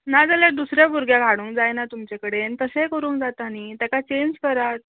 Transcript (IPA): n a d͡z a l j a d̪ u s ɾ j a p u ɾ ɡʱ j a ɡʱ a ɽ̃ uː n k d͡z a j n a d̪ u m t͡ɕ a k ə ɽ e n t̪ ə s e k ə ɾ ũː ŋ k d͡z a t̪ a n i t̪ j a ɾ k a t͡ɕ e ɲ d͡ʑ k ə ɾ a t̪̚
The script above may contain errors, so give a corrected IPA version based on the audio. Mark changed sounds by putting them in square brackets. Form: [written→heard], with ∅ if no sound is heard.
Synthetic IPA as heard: n a d͡z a l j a d̪ u s ɾ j a [p→b] u ɾ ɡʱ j a ɡʱ a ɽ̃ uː [n→ŋ] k d͡z a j n a [d̪→t̪] u m t͡ɕ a k ə ɽ e n t̪ ə s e k ə ɾ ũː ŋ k d͡z a t̪ a n i t̪ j a [ɾ→∅] k a t͡ɕ e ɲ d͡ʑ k ə ɾ a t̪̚